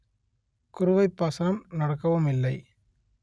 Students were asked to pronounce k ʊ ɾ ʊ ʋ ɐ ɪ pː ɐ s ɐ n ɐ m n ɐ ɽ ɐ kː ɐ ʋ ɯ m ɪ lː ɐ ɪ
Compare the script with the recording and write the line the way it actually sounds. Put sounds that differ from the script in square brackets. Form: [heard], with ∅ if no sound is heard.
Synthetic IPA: k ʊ ɾ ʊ ʋ ɐ ɪ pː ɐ s ɐ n ɐ m n ɐ ɽ ɐ kː ɐ ʋ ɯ m ɪ lː ɐ ɪ